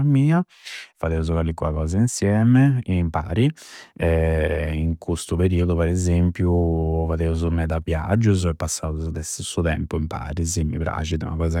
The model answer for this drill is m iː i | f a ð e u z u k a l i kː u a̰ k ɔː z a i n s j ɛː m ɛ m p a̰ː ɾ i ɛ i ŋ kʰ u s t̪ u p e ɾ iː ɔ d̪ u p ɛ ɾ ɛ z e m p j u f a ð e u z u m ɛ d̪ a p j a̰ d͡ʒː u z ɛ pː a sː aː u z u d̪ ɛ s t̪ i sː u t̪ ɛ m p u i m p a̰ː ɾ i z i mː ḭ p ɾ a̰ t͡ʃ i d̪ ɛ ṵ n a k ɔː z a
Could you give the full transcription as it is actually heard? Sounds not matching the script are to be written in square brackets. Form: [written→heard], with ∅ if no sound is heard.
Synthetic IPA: m iː [i→a] | f a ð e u z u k a l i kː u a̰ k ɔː z a i n s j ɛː m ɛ m p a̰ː ɾ i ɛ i ŋ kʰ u s t̪ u p e ɾ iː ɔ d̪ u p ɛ ɾ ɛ z e m p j u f a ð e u z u m ɛ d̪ a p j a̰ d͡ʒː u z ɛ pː a sː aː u z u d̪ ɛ s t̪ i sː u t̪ ɛ m p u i m p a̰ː ɾ i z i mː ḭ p ɾ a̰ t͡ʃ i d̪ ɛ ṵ n a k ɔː z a